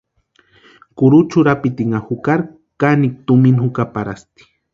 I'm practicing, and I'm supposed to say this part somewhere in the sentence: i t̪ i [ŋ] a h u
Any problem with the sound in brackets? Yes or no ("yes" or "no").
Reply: no